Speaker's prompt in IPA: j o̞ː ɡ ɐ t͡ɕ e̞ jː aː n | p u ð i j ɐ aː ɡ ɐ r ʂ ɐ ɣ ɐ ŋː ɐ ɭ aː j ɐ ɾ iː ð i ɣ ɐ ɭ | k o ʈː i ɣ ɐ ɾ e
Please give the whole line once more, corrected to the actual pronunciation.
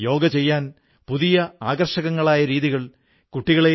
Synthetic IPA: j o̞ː ɡ ɐ t͡ɕ e̞ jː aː n | p u ð i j ɐ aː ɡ ɐ r ʂ ɐ ɣ ɐ ŋː ɐ ɭ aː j ɐ ɾ iː ð i ɣ ɐ ɭ | k u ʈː i ɣ ɐ ɭ e